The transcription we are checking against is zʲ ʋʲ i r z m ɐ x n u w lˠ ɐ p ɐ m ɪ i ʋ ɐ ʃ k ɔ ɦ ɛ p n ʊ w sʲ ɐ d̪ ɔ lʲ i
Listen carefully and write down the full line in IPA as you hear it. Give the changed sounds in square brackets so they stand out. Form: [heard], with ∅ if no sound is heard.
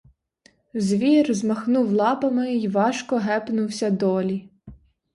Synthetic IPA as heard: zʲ ʋʲ i r z m ɐ x n u w lˠ [ɑ] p ɐ m ɪ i ʋ [ɑ] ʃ k ɔ ɦ ɛ p n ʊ w sʲ ɐ d̪ ɔ lʲ i